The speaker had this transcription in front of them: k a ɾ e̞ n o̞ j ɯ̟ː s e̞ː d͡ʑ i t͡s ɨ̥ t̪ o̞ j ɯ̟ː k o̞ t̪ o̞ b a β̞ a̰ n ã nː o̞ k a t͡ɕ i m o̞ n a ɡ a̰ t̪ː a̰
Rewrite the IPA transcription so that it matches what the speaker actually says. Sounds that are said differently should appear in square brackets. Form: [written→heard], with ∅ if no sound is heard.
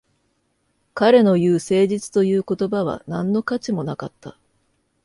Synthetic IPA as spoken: k a ɾ e̞ n o̞ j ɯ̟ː s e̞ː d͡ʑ i t͡s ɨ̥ t̪ o̞ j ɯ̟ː k o̞ t̪ o̞ b a β̞ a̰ n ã nː o̞ k a t͡ɕ i m o̞ n a [ɡ→k] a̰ t̪ː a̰